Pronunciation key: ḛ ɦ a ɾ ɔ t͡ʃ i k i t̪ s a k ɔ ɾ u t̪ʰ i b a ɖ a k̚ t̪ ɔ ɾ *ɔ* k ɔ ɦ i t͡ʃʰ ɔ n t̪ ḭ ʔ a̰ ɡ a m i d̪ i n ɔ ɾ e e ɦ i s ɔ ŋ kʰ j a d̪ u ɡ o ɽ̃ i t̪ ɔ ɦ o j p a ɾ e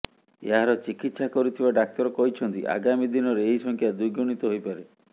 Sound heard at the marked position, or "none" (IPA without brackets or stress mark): ɔ